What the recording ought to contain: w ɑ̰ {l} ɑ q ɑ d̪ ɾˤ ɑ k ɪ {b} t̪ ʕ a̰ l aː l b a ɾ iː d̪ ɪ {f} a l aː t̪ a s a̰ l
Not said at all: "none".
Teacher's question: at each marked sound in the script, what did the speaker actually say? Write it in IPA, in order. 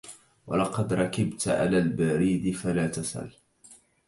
l, b, f

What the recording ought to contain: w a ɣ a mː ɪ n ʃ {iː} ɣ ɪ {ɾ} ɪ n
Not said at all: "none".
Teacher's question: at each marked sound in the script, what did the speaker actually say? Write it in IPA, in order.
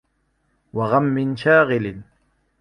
aː, l

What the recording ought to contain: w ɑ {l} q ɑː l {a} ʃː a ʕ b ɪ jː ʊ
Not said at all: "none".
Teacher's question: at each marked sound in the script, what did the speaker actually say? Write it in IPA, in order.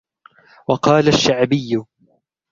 none, a

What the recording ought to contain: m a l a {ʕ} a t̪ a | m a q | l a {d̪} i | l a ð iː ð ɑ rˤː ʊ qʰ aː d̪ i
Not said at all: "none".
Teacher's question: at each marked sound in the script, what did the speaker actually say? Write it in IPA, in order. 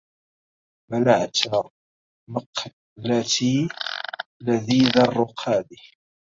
ʕ, t̪

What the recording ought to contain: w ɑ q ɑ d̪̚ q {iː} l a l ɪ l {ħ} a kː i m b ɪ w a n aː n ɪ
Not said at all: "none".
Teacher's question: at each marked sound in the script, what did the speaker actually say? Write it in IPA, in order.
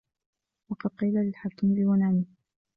iː, ħ

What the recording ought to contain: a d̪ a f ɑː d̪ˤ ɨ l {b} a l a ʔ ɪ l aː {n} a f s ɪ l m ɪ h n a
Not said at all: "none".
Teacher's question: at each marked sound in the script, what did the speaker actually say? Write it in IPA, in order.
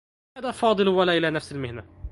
w, n

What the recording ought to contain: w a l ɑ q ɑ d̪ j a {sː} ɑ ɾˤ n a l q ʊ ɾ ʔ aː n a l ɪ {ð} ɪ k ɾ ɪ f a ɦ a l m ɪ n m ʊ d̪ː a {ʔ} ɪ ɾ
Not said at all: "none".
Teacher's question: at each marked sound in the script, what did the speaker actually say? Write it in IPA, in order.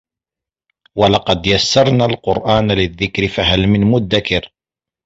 sː, ðː, k

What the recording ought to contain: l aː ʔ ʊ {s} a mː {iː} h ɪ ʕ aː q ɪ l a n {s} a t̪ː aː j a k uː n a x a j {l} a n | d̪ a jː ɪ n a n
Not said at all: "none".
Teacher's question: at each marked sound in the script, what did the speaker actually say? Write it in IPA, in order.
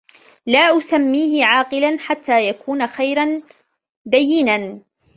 s, iː, ħ, ɾ

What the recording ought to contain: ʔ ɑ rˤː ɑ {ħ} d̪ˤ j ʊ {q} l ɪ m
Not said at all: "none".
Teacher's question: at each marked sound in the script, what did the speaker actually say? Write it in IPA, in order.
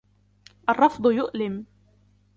f, ʔ

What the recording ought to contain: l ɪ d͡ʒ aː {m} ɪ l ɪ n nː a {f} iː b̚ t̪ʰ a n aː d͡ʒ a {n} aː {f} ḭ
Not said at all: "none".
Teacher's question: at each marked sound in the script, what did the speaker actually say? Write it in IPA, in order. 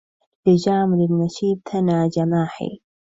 m, ʃ, m, ħ

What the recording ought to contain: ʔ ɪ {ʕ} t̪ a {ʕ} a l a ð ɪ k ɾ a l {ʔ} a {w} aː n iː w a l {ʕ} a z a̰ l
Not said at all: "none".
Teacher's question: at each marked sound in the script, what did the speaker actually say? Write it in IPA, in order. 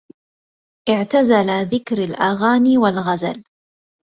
ʕ, z, ʔ, ɣ, ɣ

